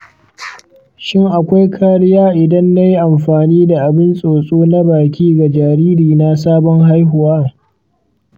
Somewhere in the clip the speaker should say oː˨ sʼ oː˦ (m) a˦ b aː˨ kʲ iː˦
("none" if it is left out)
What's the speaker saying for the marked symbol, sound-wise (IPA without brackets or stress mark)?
n